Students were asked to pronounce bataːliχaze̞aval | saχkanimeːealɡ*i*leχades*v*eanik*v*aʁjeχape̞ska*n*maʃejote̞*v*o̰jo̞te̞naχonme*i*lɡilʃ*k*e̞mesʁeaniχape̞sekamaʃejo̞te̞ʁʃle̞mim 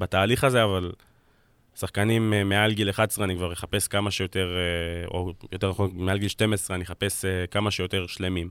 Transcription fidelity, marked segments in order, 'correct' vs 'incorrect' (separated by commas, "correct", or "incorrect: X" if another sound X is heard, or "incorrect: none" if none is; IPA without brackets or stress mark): correct, incorrect: ʁ, correct, incorrect: none, incorrect: ʁ, incorrect: a, incorrect: t